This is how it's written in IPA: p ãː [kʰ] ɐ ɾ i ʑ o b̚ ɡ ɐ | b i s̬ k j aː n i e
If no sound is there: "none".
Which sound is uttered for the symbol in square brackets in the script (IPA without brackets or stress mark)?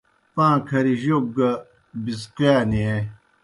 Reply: kʰ